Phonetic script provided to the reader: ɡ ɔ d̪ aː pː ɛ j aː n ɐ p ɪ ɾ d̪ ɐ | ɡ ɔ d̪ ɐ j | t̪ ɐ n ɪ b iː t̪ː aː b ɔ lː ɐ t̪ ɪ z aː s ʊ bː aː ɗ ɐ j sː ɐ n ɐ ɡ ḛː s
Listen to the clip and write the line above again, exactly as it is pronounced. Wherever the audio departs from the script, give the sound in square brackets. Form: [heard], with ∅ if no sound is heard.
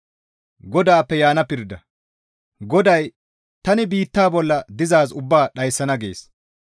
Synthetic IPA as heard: ɡ ɔ d̪ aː pː ɛ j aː n ɐ p ɪ ɾ d̪ ɐ | ɡ ɔ d̪ ɐ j | t̪ ɐ n ɪ b iː t̪ː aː b ɔ lː ɐ [d̪] ɪ z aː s ʊ bː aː ɗ ɐ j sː ɐ n ɐ ɡ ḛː s